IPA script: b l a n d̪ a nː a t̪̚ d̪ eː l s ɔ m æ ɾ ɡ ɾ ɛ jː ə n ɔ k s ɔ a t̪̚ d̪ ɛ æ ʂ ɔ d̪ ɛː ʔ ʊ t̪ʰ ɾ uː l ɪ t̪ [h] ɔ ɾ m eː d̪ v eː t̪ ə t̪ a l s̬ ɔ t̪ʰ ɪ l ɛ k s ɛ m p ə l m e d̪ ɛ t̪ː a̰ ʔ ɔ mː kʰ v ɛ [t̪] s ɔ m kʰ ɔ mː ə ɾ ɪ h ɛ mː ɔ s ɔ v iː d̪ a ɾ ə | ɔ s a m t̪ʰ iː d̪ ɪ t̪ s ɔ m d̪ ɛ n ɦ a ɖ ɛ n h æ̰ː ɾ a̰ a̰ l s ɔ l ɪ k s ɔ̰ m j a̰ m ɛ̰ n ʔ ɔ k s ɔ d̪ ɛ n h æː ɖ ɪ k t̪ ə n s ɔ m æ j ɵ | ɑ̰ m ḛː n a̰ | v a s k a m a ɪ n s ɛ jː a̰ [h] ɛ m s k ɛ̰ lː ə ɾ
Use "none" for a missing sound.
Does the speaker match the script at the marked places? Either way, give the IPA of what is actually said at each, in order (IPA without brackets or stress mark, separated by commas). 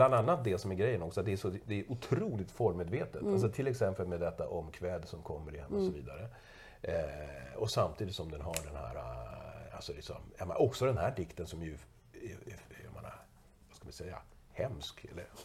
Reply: f, d̪, h